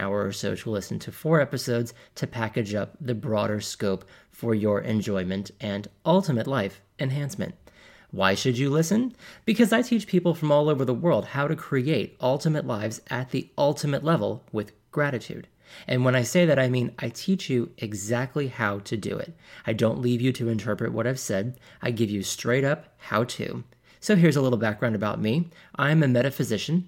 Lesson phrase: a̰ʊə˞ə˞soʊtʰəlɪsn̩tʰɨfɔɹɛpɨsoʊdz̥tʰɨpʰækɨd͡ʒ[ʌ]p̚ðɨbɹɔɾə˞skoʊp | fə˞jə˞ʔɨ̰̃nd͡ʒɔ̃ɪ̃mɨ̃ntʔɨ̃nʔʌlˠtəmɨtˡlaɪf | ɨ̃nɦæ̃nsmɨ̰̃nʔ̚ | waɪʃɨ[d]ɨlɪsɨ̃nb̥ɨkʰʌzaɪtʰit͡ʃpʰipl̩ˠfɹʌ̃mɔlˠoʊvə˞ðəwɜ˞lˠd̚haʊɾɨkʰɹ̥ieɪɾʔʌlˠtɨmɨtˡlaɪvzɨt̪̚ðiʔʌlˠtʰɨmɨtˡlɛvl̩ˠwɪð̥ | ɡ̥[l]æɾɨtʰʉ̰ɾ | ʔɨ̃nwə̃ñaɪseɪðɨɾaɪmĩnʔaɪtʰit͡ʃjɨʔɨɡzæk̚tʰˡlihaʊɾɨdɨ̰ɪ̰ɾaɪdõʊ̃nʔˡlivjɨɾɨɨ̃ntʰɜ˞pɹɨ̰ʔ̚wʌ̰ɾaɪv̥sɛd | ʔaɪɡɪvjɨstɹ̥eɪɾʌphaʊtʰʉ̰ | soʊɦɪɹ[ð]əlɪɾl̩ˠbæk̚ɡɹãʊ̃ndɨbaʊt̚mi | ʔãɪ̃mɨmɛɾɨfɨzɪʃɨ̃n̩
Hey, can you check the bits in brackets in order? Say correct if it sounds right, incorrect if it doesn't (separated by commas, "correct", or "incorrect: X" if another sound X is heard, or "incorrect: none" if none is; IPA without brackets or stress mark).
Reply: correct, incorrect: d͡ʒ, incorrect: ɹ, incorrect: z